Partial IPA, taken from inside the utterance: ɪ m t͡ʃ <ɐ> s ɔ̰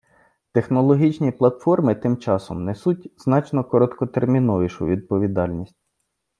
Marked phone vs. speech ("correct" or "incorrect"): incorrect